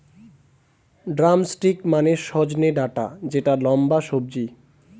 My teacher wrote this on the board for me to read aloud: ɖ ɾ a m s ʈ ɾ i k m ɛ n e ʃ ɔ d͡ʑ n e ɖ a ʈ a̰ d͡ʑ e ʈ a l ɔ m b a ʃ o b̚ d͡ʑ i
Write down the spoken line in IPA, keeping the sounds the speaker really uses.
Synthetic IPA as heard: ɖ ɾ a m s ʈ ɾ i k m a n e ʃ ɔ d͡ʑ n e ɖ a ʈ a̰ d͡ʑ e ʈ a l ɔ m b a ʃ o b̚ d͡ʑ i